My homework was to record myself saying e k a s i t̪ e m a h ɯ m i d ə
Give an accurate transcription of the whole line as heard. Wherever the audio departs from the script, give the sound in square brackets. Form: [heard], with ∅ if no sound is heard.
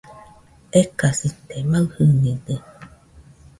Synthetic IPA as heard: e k a s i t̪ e m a h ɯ [n] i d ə